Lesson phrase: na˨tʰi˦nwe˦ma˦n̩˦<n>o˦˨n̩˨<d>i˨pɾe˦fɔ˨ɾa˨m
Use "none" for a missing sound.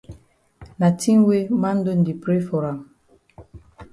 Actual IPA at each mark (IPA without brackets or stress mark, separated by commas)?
d, d